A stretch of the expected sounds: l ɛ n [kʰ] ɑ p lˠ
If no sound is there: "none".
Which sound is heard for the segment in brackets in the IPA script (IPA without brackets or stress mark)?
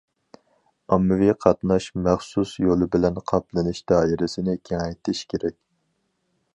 qʰ